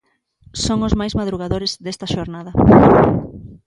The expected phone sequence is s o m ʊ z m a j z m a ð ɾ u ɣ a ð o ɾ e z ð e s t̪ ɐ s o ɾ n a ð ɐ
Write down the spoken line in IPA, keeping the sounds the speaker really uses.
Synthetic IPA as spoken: s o ŋ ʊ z m a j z m a ð ɾ u ɣ a ð o ɾ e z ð e s t̪ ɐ ʃ o ɾ n a ð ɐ